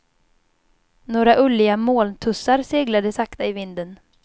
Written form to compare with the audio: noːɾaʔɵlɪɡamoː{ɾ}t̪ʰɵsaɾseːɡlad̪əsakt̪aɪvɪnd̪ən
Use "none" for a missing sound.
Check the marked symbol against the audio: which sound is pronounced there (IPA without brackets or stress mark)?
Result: l